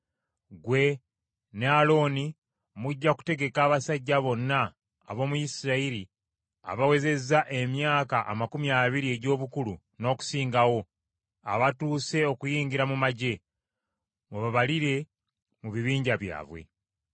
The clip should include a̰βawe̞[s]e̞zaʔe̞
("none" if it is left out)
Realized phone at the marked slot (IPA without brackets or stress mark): z